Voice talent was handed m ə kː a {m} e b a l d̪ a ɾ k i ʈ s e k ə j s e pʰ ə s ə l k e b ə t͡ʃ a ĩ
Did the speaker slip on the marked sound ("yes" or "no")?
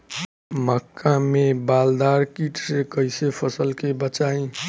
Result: no